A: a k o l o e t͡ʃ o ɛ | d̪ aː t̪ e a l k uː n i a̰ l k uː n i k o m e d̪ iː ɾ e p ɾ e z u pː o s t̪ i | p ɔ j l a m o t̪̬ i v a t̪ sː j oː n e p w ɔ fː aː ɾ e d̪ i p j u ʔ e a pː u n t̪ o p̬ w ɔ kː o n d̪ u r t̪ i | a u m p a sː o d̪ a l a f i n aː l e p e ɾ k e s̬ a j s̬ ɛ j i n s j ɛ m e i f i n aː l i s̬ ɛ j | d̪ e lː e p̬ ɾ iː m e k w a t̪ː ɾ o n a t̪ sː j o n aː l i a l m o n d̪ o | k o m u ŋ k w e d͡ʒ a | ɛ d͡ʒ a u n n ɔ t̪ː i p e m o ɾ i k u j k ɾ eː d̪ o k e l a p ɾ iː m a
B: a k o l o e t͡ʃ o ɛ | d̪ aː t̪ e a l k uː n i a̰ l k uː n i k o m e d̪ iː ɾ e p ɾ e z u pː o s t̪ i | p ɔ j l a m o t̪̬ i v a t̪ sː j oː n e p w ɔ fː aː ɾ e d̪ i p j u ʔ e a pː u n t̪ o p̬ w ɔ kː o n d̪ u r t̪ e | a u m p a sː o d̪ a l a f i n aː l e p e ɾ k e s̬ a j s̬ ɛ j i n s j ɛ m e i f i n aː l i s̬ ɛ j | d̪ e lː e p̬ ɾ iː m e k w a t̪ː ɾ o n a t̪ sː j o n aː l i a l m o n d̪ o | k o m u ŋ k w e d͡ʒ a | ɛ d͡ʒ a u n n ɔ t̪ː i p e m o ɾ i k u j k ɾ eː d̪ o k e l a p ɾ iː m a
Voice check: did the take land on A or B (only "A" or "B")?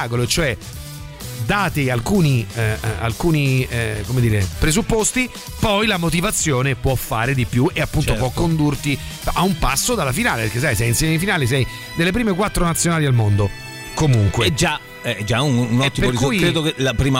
A